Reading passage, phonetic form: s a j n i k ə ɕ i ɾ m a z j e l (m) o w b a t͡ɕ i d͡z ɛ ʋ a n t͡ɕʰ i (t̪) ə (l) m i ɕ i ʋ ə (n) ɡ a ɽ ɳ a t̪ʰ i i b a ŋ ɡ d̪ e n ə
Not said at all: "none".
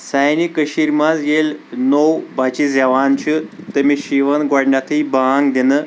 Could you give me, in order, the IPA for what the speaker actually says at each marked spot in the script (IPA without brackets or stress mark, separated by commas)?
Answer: n, t̪, none, n